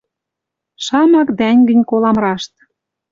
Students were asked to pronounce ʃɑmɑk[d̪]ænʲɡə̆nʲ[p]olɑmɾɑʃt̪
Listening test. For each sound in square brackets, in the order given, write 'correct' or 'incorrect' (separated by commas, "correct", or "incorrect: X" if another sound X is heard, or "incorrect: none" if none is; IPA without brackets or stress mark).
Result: correct, incorrect: k